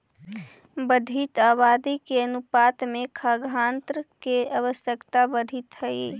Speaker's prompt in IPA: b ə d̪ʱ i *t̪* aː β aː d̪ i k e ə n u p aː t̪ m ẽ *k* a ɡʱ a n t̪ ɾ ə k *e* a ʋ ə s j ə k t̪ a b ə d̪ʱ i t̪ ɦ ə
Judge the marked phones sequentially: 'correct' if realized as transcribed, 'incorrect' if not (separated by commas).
correct, incorrect, correct